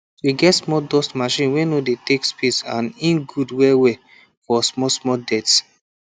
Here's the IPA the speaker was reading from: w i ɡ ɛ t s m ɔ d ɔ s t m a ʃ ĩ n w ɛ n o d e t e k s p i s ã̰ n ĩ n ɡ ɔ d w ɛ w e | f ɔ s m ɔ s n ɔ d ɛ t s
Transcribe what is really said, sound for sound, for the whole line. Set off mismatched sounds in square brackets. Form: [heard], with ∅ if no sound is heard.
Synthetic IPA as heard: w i ɡ ɛ t s m ɔ d ɔ s t m a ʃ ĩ n w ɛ n o d e t e k s p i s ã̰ n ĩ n ɡ [u] d w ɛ w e | f ɔ s m ɔ s [m] ɔ d ɛ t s